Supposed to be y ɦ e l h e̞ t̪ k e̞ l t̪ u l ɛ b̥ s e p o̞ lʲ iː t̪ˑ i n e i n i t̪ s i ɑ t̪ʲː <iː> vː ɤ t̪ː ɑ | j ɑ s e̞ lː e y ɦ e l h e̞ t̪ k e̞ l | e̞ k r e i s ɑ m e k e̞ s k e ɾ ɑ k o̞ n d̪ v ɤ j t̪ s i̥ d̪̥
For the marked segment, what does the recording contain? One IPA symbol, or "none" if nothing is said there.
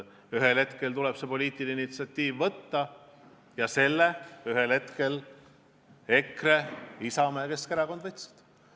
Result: iː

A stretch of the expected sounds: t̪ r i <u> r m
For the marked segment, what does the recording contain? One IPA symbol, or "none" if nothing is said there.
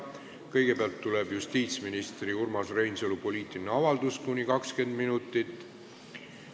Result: u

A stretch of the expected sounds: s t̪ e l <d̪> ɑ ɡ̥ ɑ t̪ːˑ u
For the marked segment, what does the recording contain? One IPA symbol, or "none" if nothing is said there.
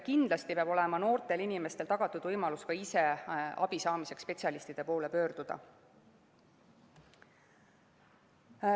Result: t̪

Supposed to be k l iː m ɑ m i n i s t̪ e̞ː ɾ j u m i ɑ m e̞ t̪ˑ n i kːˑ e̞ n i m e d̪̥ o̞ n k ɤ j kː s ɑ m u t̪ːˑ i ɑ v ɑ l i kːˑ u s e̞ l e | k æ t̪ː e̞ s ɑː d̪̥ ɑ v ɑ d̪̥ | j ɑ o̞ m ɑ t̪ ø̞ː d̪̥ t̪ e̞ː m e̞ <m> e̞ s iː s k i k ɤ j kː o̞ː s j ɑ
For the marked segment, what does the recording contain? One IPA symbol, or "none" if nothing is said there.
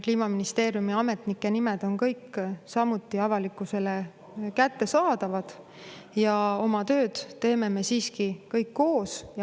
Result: m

